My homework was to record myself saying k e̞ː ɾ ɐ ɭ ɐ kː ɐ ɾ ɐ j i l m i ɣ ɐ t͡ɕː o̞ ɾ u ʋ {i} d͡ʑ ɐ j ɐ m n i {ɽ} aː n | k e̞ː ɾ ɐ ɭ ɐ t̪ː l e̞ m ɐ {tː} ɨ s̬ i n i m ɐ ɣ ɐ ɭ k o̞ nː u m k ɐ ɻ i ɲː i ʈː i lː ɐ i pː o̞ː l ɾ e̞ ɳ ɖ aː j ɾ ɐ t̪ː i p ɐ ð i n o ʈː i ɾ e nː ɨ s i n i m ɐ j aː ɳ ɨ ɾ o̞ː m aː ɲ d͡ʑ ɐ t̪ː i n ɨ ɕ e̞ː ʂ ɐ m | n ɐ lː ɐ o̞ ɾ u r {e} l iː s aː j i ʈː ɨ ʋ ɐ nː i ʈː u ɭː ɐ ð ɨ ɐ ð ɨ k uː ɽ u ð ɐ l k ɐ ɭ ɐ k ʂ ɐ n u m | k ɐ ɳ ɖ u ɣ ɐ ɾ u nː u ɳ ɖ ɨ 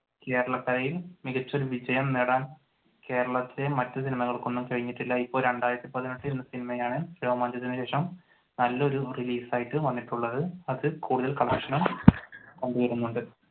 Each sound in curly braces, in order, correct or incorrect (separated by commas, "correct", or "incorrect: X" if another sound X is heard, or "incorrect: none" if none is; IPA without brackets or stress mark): correct, correct, correct, incorrect: i